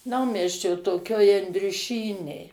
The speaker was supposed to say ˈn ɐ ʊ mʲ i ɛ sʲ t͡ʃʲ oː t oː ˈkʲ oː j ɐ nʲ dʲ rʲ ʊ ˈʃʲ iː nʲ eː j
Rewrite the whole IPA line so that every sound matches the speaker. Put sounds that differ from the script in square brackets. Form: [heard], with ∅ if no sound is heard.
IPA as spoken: ˈn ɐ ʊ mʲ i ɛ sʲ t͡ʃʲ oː t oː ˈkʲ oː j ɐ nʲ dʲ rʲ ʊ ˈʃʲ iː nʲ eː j